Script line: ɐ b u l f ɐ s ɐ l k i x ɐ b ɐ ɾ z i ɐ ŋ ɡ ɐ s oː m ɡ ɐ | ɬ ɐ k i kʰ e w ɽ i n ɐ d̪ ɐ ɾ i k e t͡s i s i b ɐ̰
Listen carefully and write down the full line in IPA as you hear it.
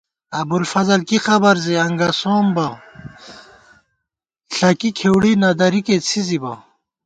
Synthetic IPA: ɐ b u l f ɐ z ɐ l k i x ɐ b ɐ ɾ z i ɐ ŋ ɡ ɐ s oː m b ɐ | ɬ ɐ k i kʰ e w ɽ i n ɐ d̪ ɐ ɾ i k e t͡sʰ i z i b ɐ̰